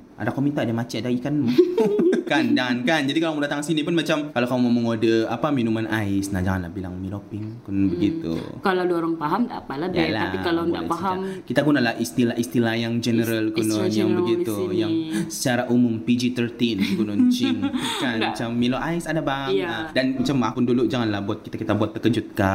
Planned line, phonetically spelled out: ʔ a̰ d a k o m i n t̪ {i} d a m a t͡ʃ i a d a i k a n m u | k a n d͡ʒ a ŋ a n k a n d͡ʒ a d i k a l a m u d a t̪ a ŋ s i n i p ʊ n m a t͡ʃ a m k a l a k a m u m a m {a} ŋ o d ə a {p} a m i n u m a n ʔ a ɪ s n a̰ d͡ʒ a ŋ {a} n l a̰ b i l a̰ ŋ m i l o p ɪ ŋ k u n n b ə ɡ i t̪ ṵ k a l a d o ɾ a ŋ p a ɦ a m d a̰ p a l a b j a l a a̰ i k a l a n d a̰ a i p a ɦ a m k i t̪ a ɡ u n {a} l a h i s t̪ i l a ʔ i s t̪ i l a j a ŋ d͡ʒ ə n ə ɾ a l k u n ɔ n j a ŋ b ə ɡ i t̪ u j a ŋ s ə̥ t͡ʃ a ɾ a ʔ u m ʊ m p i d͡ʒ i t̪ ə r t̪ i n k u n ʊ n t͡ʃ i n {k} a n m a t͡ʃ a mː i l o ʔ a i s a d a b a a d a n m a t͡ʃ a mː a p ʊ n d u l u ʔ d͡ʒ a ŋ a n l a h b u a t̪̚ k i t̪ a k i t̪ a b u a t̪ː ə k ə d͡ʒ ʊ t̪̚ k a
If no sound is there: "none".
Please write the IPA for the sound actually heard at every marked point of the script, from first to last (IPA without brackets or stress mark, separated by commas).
a, ə, p, a, a, k